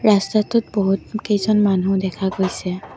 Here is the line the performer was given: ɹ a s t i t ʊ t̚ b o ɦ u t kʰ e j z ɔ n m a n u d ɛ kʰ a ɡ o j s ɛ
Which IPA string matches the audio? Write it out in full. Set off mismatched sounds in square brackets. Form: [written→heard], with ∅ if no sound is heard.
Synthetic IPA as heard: ɹ a s t [i→a] t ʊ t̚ b o ɦ u t [kʰ→k] e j z ɔ n m a n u d ɛ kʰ a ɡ o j s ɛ